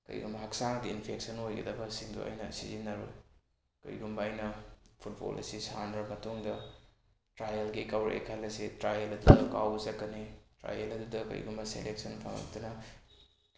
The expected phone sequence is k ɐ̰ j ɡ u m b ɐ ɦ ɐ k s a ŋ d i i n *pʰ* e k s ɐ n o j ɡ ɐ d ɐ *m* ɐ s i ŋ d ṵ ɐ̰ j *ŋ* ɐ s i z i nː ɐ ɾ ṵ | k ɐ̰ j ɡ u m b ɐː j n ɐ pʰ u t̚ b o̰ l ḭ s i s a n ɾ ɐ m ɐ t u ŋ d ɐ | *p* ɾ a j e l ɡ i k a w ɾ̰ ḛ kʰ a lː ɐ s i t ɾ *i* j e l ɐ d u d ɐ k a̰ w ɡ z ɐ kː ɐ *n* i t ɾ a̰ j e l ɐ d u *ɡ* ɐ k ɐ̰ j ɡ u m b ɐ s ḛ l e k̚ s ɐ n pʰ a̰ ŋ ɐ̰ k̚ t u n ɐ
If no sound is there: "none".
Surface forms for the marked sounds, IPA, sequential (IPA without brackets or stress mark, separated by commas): pʰ, b, n, t, a, n, d